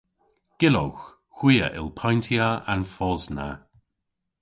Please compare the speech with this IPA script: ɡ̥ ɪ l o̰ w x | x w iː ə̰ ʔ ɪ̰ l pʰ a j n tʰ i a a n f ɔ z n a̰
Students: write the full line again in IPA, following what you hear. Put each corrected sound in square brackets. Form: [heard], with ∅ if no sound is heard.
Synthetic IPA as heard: ɡ̥ ɪ l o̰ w x | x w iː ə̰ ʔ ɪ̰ l pʰ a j n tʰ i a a n f ɔ z n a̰